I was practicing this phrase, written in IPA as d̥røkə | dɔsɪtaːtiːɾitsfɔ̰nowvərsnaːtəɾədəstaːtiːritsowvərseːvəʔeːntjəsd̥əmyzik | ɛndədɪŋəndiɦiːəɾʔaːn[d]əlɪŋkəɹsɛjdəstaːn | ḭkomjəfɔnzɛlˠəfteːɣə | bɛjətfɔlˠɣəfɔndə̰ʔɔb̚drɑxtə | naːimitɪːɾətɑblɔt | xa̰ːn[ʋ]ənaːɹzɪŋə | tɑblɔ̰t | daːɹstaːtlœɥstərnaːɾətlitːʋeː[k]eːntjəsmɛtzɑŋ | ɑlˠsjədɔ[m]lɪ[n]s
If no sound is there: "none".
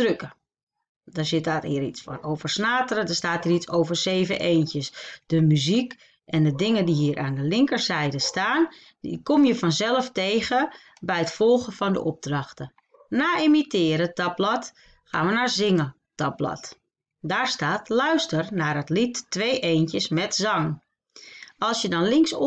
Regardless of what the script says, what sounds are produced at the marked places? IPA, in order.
d, ʋ, ʔ, n, ŋ

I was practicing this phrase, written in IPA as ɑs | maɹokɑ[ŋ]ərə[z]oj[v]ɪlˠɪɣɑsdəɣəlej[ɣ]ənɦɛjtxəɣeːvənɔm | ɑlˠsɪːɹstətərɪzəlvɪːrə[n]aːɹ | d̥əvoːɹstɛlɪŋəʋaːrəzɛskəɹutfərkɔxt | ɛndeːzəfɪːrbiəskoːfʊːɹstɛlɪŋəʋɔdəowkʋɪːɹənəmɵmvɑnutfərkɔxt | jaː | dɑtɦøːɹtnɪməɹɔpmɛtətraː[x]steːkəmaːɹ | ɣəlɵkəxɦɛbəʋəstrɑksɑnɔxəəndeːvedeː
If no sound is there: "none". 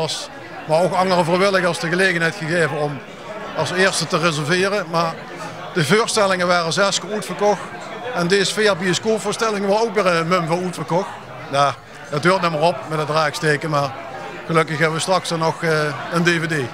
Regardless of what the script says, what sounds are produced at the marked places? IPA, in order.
ŋ, v, ʋ, ɣ, m, k

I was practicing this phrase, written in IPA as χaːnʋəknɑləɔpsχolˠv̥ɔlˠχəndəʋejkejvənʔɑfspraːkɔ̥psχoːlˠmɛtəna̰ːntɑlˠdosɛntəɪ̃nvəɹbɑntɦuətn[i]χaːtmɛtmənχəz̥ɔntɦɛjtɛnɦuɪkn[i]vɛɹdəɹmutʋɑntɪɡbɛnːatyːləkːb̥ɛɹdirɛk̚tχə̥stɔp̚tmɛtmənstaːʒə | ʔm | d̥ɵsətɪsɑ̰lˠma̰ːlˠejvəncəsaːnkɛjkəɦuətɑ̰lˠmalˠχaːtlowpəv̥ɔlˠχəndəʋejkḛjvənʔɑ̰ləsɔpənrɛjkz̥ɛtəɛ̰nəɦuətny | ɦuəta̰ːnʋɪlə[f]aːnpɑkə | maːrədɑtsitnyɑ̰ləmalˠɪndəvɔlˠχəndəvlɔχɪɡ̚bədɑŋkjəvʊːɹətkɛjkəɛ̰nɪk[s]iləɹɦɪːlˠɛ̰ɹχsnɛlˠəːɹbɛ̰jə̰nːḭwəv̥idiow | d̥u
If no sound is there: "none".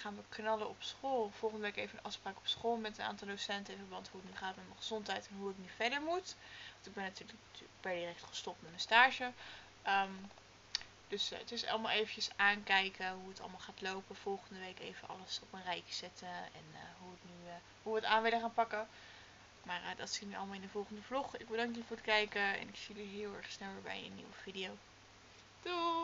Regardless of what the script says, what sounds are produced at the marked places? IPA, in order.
y, y, χ, s

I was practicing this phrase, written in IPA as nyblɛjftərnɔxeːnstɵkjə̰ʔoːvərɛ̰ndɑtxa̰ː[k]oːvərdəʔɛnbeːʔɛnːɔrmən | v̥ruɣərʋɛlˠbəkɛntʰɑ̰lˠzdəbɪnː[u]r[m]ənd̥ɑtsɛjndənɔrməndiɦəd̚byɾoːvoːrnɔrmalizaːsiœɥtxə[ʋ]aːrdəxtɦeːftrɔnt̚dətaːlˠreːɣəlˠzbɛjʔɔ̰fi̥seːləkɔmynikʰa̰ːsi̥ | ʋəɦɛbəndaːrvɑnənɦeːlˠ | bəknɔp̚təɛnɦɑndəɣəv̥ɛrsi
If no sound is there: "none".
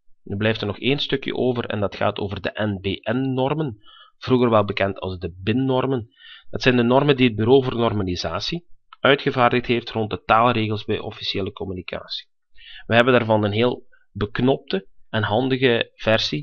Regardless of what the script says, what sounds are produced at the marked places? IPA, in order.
t, ɔ, m, v

